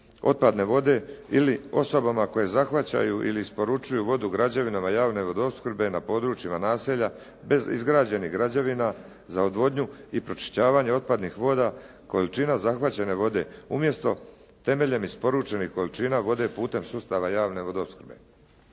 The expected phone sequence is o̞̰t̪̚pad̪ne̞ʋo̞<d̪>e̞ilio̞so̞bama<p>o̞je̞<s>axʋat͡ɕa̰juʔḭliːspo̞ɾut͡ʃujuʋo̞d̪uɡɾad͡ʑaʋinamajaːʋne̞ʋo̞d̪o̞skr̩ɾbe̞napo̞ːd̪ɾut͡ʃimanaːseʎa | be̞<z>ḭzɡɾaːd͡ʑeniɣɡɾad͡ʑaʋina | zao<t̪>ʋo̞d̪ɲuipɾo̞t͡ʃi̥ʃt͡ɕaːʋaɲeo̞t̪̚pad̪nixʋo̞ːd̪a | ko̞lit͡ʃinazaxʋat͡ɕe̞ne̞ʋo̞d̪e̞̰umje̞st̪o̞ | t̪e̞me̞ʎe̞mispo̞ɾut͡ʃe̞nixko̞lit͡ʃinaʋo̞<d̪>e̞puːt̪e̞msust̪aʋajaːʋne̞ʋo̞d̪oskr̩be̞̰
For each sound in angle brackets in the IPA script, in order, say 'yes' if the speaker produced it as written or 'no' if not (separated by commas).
yes, no, no, yes, no, yes